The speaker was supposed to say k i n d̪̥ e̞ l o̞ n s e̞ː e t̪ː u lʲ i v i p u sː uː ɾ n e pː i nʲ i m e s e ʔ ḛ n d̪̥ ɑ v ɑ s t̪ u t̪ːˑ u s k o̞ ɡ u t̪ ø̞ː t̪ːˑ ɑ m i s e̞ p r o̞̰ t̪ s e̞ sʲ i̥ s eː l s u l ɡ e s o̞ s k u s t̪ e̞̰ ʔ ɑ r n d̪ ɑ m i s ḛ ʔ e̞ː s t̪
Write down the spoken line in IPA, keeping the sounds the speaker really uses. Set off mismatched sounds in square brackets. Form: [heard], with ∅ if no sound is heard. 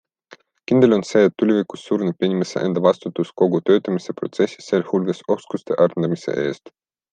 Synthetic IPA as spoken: k i n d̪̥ e̞ l o̞ n s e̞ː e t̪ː u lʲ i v i [k] u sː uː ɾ n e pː i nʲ i m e s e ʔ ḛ n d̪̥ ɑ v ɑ s t̪ u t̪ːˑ u s k o̞ ɡ u t̪ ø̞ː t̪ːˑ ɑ m i s e̞ p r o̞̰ t̪ s e̞ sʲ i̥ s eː l [h] u l ɡ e s o̞ s k u s t̪ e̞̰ ʔ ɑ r n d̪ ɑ m i s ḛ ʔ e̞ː s t̪